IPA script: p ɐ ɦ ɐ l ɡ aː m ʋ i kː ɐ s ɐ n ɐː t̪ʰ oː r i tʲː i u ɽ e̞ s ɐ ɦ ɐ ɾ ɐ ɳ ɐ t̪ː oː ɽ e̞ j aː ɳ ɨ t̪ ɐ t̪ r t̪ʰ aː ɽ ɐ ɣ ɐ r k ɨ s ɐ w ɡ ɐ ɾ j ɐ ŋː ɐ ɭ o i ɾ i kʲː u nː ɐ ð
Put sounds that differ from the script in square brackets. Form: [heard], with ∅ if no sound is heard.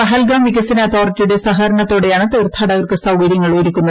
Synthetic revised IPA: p ɐ ɦ ɐ l ɡ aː m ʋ i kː ɐ s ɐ n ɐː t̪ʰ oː r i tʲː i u ɽ e̞ s ɐ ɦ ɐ ɾ ɐ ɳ ɐ t̪ː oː ɽ e̞ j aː ɳ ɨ t̪ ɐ [∅] r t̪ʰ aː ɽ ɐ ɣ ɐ r k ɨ s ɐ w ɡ ɐ ɾ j ɐ ŋː ɐ ɭ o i ɾ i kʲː u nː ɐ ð